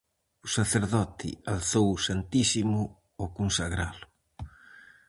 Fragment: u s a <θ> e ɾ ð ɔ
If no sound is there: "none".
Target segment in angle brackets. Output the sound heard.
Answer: θ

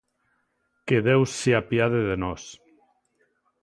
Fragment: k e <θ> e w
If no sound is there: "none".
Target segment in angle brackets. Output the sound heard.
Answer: ð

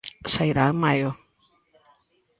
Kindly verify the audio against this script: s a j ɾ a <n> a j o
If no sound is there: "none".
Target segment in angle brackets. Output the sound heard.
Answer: m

